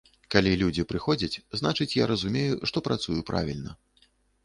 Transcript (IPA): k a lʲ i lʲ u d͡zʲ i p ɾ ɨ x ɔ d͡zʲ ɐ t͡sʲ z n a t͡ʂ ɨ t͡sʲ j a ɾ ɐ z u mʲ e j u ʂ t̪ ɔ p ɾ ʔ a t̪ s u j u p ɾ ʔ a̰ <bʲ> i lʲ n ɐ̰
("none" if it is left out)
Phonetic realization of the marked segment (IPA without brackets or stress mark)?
vʲ